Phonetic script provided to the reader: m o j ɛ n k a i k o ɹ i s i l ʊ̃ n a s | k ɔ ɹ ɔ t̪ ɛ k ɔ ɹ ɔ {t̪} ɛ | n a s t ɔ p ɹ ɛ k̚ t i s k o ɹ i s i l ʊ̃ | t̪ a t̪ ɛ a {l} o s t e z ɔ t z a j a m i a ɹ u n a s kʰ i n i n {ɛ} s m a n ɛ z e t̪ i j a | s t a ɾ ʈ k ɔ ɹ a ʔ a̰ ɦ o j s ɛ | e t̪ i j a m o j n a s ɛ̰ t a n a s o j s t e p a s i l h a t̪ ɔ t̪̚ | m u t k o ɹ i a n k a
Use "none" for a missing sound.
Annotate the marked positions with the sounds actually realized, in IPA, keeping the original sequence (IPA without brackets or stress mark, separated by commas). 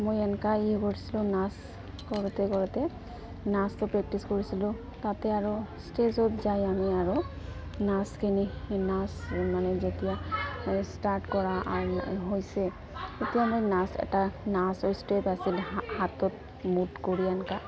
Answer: t̪, ɹ, a